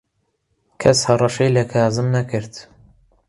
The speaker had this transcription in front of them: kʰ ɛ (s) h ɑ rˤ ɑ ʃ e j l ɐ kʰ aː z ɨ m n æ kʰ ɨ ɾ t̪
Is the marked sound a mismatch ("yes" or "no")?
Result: no